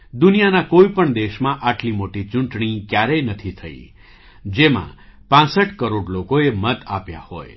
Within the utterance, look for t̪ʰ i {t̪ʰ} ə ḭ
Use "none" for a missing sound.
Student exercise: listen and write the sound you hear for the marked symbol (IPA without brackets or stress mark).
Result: t̪ʰ